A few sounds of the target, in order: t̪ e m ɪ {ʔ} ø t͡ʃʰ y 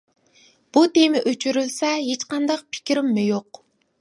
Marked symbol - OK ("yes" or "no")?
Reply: yes